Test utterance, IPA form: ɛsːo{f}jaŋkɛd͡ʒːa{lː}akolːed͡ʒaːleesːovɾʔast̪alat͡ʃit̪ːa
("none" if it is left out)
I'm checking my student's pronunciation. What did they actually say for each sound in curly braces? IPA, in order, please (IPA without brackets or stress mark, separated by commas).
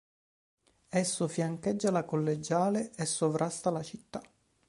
f, l